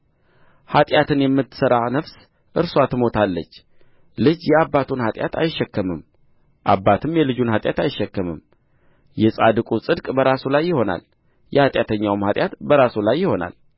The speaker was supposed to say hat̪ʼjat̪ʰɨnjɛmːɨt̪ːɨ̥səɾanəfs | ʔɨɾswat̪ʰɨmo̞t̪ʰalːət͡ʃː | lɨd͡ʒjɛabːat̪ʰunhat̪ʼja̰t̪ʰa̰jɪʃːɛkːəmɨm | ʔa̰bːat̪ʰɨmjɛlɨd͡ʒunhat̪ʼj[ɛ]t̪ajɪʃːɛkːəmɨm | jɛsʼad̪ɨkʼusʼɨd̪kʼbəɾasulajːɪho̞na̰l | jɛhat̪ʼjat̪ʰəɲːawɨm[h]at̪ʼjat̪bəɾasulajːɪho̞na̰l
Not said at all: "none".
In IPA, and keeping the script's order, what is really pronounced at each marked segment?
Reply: a, h

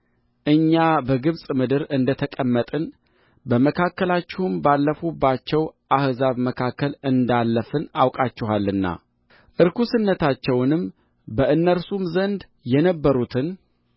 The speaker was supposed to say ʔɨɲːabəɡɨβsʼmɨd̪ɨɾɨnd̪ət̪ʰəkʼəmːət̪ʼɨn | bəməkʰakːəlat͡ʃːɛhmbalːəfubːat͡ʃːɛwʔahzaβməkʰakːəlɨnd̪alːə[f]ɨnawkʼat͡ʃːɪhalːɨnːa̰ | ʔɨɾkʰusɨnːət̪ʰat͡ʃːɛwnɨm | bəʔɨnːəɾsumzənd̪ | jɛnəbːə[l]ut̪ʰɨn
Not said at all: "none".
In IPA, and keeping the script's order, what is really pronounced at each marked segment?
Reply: f, ɾ

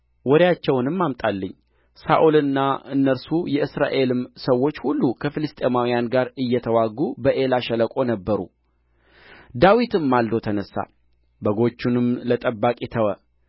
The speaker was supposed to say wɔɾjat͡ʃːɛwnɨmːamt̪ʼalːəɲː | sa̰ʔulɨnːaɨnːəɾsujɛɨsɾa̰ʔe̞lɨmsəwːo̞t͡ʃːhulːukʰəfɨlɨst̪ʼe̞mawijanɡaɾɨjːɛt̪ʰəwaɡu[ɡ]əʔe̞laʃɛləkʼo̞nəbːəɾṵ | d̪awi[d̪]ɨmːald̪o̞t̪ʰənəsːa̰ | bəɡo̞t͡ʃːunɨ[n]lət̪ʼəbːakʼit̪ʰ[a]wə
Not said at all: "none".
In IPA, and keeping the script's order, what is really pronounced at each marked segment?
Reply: b, t̪, m, ə

